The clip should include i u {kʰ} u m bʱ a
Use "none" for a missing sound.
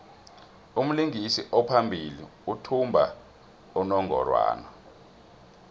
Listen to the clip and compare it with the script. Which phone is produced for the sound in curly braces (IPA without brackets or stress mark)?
tʰ